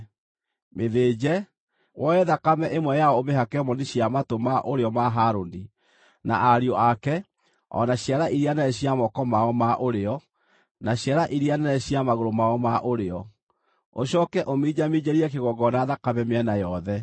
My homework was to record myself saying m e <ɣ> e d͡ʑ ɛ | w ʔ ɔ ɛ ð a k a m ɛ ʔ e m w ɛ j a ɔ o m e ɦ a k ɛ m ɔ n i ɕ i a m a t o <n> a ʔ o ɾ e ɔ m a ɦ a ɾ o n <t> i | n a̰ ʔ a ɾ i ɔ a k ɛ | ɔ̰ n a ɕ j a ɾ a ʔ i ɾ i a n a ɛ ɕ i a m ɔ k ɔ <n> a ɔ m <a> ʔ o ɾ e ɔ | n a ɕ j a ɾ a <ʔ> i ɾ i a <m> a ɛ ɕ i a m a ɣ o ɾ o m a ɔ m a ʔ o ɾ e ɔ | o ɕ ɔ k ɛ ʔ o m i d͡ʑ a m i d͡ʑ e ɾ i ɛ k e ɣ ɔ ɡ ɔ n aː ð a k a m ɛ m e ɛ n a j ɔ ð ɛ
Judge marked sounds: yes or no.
no, no, no, no, yes, yes, no

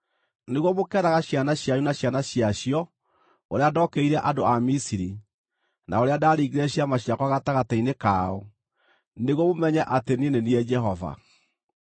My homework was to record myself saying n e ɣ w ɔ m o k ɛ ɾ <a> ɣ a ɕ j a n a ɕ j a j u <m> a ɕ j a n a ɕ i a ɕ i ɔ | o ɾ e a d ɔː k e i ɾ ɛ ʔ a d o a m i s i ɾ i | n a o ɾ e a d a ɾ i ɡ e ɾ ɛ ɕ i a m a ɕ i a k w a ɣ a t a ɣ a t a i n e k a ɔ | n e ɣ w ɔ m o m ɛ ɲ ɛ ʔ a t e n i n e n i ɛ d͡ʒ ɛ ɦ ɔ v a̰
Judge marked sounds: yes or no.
yes, no

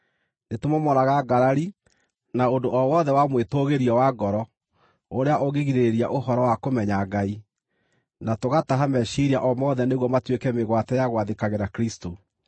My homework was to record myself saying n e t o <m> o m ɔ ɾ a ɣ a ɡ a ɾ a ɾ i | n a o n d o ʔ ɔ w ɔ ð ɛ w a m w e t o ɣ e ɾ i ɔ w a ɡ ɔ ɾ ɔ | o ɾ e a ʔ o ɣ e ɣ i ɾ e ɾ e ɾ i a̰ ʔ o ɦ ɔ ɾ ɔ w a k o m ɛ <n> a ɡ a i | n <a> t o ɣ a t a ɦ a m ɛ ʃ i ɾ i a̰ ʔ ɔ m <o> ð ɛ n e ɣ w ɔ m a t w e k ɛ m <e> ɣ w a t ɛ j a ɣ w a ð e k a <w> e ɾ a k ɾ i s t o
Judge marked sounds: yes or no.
yes, no, yes, no, yes, no

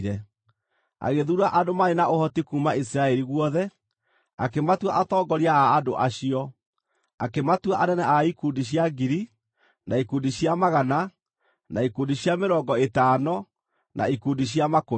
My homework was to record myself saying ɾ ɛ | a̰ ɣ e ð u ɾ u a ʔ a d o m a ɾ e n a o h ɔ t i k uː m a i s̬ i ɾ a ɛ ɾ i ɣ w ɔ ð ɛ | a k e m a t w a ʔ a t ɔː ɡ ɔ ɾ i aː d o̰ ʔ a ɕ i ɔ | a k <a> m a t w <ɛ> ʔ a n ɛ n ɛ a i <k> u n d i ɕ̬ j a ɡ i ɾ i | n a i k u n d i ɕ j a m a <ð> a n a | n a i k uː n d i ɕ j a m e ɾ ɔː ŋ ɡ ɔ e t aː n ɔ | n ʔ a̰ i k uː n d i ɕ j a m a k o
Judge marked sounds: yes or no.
no, no, yes, no

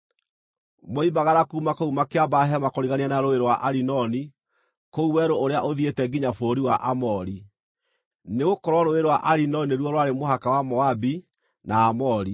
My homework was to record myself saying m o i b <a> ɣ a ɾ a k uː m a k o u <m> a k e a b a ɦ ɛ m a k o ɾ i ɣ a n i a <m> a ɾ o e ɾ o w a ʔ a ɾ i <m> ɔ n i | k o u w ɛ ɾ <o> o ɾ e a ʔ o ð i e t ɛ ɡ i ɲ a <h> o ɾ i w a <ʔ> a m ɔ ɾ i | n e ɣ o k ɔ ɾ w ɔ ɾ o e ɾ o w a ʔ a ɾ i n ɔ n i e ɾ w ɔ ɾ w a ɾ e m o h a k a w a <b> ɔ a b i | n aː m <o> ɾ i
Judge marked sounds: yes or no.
yes, yes, no, no, yes, no, yes, no, no

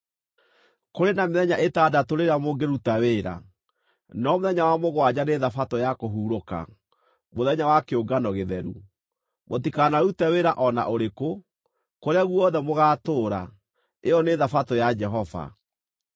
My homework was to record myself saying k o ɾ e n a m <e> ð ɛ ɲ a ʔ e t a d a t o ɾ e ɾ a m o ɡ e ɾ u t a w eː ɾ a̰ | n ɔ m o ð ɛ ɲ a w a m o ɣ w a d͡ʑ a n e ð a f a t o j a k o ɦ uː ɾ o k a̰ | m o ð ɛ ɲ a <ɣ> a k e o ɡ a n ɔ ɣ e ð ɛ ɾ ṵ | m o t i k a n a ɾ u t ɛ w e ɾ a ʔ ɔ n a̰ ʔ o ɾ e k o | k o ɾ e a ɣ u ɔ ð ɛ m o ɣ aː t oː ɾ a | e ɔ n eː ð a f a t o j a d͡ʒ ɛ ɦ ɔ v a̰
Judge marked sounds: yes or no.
yes, no

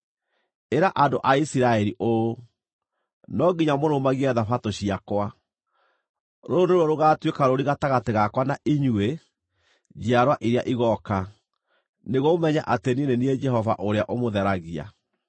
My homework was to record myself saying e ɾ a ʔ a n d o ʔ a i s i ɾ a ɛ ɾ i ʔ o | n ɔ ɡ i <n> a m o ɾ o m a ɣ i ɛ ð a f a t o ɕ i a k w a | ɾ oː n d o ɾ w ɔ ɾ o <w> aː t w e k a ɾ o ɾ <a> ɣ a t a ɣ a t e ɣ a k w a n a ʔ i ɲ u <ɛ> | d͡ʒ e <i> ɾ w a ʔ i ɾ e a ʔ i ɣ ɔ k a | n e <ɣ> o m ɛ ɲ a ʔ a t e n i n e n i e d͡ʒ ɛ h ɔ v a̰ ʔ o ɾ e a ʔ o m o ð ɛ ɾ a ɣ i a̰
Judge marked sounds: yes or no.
no, no, no, no, no, yes

